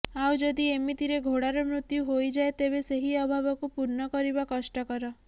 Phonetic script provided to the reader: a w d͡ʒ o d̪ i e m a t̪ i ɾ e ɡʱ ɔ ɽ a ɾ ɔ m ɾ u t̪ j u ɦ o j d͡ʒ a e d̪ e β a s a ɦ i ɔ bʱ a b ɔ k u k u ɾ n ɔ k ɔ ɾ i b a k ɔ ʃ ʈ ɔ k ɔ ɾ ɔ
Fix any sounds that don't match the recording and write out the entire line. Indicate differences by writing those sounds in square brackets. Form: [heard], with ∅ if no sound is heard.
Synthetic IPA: a w d͡ʒ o d̪ i e m [i] t̪ i ɾ e ɡʱ [o] ɽ a ɾ ɔ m ɾ u t̪ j u ɦ o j d͡ʒ a e [t̪] e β [e] s [e] ɦ i ɔ bʱ a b ɔ k u [p] u ɾ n ɔ k ɔ ɾ i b a k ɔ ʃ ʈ ɔ k ɔ ɾ ɔ